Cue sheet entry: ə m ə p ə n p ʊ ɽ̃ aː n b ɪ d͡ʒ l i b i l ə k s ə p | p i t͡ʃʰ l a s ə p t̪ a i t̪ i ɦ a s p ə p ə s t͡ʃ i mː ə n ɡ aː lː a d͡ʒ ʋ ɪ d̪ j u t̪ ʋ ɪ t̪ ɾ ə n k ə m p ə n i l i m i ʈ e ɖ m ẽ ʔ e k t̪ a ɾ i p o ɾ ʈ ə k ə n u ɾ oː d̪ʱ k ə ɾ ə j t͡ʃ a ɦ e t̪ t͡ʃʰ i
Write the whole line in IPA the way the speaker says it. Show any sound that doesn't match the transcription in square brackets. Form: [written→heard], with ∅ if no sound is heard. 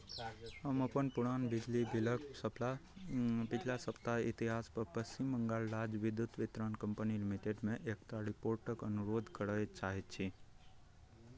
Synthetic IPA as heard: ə m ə p ə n p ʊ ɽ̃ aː n b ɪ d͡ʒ l i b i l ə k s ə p | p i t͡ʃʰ l a s ə p t̪ a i t̪ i ɦ a s p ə p ə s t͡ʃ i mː ə [n→ŋ] ɡ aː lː a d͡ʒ ʋ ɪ d̪ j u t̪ ʋ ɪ t̪ ɾ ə n k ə m p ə n i l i m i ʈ e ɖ m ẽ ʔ e k t̪ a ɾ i p o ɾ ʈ ə k ə n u ɾ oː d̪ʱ k ə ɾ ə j t͡ʃ a ɦ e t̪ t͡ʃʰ i